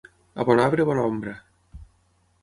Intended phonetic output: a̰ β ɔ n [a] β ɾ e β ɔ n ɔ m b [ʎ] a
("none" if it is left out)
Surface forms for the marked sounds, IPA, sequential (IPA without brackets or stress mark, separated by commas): a, ɾ